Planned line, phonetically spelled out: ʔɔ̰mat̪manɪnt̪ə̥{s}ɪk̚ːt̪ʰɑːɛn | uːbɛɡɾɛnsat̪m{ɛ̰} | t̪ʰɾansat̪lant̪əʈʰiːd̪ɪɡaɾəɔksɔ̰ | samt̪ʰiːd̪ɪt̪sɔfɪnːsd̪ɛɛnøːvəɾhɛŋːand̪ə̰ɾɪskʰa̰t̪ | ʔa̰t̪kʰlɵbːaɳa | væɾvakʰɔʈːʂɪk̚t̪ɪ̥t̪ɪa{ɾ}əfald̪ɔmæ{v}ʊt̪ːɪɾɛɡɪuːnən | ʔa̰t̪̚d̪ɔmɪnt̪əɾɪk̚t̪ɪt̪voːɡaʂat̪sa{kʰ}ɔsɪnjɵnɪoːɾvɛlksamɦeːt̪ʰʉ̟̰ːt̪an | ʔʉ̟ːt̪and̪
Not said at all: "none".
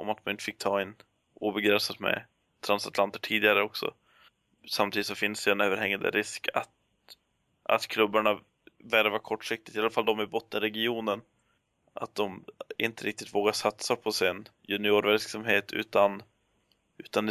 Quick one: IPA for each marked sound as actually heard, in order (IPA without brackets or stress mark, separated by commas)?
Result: f, ɛ̰, l, b, pʰ